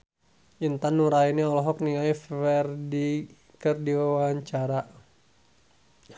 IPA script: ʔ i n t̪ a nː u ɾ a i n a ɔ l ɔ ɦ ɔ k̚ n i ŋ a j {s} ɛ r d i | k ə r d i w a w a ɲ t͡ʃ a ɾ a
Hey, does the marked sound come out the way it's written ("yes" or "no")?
no